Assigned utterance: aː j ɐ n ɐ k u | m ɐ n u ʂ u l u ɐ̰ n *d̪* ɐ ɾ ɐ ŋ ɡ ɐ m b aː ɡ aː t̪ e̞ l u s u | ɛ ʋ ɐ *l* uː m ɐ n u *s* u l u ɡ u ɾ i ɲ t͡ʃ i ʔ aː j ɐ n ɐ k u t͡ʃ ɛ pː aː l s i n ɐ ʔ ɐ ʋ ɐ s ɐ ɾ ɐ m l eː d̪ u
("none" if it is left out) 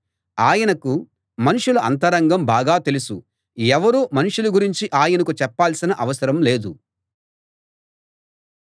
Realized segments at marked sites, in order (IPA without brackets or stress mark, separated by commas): t̪, ɾ, ʂ